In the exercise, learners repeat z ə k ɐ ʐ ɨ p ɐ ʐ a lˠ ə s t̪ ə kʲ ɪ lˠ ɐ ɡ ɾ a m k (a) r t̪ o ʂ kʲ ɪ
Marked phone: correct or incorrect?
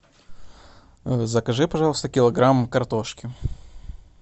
incorrect